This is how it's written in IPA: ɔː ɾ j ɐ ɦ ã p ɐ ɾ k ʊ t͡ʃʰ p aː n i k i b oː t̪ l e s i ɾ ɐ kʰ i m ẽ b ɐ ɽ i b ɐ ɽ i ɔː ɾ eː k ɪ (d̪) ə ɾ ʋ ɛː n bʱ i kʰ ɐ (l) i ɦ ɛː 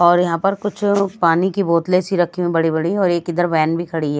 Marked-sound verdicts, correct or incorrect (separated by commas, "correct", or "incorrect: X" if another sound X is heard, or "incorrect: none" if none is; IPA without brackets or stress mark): correct, incorrect: ɽ